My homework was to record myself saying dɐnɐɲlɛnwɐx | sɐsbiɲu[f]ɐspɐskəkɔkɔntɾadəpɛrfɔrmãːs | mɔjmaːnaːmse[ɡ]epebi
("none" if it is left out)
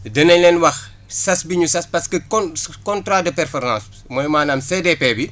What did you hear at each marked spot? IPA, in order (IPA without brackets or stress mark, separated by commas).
s, d